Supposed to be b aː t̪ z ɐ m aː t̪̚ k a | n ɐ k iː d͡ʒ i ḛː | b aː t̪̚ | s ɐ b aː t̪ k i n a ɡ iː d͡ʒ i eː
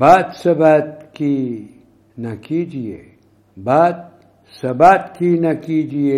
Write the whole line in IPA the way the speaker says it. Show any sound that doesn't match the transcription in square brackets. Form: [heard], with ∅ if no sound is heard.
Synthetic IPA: b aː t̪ [s] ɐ [b] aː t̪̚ k [i] | n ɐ k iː d͡ʒ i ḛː | b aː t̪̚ | s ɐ b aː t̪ k i n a [k] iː d͡ʒ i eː